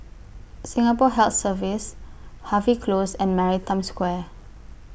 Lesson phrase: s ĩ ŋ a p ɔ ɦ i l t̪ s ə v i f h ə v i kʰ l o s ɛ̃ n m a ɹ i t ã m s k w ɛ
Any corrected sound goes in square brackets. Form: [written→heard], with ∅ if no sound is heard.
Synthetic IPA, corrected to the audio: s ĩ ŋ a p ɔ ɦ [i→ɛ] l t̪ s ə v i [f→s] h [ə→a] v i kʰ l o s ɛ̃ n m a ɹ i t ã m s k w ɛ